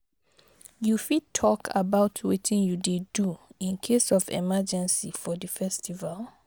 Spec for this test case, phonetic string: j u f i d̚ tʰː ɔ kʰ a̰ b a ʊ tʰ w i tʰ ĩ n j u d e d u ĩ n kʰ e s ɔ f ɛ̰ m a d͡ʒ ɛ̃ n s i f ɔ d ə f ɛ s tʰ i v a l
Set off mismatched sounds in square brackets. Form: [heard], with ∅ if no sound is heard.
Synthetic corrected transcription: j u f i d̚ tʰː ɔ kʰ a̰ b a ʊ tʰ w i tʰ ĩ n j u d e d u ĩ n kʰ e s ɔ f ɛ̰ m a d͡ʒ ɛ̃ n s i f ɔ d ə f ɛ s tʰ i v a l